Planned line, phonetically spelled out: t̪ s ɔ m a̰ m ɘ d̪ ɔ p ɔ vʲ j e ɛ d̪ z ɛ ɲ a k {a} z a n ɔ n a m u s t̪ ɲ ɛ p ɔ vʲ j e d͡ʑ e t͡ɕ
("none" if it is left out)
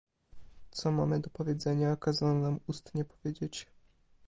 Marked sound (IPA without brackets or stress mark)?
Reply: a